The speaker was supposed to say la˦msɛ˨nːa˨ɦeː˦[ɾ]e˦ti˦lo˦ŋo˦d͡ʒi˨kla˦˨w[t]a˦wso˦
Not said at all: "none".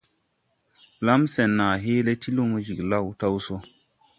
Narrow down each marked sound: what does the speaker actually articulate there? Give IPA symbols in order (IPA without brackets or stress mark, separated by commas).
l, t